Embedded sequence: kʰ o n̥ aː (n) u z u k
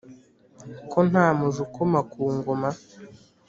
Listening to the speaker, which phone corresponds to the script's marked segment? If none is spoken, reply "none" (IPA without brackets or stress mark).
m